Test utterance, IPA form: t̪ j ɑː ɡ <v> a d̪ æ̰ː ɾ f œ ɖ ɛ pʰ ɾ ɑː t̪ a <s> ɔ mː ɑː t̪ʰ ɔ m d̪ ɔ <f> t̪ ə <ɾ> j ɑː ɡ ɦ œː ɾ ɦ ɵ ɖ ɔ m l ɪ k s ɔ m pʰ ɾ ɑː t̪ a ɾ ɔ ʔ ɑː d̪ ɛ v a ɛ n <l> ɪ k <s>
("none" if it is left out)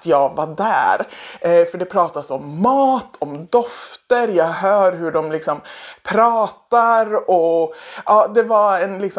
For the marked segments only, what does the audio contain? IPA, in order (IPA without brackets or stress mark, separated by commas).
v, s, f, ɾ, l, s